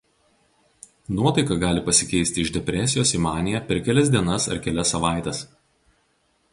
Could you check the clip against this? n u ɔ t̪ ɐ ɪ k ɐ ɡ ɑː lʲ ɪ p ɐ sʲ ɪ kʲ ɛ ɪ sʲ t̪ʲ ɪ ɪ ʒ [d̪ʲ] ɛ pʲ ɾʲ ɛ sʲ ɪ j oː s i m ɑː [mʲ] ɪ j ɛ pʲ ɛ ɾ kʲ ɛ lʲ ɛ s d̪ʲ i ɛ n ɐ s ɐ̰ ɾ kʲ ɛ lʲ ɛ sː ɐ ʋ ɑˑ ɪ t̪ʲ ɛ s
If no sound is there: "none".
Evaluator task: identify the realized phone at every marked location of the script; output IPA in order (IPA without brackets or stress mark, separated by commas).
d̪ʲ, nʲ